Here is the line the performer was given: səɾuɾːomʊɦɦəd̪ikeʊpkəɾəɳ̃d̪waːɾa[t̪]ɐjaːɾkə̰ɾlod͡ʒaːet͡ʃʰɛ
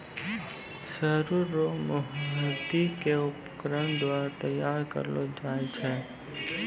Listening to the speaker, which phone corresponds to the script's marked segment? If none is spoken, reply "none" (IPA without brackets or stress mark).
t̪